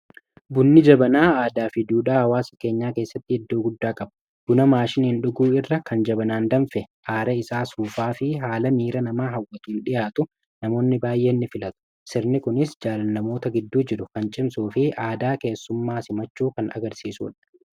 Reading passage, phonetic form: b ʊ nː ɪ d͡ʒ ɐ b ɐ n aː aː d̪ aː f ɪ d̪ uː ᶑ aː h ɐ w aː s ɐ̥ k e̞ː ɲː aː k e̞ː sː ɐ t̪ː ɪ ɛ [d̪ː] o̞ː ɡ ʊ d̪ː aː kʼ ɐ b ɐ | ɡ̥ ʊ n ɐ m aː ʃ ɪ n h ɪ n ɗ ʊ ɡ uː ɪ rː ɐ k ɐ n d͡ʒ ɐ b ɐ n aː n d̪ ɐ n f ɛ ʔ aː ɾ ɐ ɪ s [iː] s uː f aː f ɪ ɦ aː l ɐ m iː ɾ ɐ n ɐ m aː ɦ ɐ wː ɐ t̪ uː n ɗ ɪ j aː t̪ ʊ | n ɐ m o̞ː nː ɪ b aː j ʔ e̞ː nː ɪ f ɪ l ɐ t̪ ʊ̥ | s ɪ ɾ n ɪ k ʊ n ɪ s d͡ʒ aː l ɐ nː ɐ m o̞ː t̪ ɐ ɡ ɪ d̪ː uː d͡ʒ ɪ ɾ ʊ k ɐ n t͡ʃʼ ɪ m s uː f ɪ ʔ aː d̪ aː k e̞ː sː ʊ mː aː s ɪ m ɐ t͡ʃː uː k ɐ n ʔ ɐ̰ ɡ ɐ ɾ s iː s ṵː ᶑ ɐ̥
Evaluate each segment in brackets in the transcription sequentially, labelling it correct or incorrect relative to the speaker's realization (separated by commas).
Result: correct, incorrect